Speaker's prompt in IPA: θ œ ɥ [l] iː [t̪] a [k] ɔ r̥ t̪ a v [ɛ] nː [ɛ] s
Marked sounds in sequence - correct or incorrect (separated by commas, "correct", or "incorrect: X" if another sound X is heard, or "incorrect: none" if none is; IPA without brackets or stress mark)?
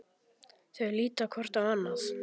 correct, correct, incorrect: kʰ, incorrect: a, incorrect: a